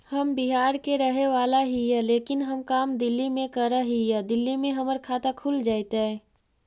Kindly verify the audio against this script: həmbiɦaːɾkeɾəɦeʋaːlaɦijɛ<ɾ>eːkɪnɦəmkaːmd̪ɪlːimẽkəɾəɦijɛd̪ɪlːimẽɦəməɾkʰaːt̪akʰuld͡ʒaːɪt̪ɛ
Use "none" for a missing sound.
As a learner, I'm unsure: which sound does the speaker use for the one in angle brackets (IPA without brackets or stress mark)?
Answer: l